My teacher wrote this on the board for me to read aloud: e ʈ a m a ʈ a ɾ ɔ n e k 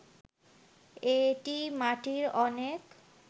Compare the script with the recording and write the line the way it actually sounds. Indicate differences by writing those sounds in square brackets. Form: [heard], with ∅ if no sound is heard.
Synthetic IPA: e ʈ [i] m a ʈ [i] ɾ ɔ n e k